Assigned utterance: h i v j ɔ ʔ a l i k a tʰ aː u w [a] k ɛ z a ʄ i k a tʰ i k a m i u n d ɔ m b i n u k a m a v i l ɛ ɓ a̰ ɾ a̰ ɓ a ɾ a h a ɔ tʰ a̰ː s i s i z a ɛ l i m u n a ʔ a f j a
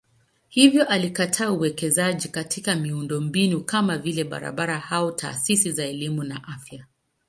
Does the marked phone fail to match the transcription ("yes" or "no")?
yes